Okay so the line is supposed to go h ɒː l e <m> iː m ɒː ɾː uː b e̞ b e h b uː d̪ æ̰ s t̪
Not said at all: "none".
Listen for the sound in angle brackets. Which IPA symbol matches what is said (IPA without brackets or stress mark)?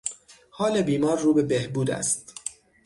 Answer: b